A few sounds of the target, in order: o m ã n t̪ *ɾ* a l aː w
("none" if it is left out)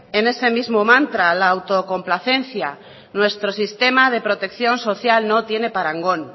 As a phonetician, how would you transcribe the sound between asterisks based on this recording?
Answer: ɾ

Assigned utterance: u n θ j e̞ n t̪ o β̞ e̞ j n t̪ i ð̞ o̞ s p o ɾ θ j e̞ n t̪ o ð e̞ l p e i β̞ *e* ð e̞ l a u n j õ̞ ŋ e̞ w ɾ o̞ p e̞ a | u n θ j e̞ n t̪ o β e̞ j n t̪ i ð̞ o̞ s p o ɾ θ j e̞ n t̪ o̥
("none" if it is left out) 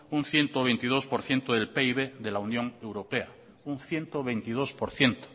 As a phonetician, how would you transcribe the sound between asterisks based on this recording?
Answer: e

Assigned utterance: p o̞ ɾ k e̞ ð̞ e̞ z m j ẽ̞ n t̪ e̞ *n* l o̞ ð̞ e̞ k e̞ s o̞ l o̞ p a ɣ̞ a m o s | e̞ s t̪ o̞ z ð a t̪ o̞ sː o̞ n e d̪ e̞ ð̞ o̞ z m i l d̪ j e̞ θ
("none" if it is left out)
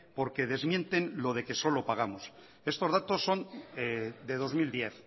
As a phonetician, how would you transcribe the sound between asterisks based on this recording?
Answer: n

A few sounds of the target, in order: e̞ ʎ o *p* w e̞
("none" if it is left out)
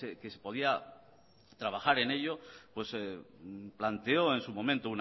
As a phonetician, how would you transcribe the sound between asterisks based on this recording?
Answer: p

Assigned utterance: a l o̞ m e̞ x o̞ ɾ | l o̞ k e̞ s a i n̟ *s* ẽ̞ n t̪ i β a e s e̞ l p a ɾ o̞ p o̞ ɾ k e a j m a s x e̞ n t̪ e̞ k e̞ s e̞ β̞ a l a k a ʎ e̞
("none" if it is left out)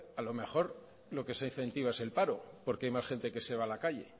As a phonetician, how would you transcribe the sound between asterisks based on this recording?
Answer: θ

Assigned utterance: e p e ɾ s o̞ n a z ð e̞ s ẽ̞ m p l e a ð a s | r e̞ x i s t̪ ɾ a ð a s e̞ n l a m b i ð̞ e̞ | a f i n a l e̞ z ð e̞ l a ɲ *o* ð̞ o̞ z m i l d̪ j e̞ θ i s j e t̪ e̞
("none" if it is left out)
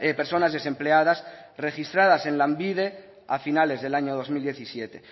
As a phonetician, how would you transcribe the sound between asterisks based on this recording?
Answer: o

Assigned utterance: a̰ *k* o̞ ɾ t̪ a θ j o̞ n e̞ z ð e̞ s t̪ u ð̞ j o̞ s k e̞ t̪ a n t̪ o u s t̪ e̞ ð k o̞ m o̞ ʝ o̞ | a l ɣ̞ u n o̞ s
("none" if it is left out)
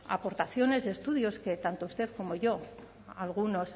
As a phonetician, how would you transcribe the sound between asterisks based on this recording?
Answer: p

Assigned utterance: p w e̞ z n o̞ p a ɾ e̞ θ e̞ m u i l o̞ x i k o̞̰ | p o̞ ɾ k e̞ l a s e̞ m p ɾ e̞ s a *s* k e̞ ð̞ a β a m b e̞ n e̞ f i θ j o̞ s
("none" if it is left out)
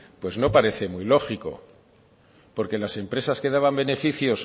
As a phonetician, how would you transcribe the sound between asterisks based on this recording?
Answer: s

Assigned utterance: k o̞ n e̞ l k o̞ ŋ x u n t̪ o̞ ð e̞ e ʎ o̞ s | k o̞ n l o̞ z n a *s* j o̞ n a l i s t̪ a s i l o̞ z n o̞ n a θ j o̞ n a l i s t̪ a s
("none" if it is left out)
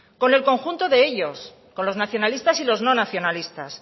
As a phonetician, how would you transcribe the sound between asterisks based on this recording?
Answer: θ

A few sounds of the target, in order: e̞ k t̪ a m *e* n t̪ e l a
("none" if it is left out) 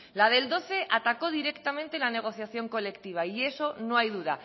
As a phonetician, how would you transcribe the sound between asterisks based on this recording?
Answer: ẽ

